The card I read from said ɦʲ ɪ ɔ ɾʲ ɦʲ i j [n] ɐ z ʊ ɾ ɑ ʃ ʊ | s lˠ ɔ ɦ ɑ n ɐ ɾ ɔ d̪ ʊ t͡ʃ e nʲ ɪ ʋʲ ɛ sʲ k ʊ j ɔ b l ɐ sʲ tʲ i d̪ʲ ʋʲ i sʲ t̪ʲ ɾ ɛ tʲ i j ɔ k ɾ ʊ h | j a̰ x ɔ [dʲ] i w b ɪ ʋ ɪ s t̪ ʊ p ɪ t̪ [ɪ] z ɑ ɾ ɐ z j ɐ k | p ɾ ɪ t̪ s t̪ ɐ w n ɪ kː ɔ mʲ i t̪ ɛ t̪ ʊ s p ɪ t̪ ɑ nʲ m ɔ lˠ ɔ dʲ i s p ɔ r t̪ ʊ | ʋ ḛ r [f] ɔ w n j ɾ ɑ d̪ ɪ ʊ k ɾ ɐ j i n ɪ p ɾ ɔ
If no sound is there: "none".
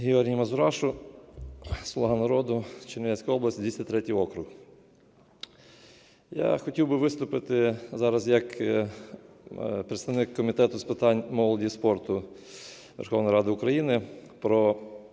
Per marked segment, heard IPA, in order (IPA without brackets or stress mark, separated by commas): m, tʲ, ɪ, x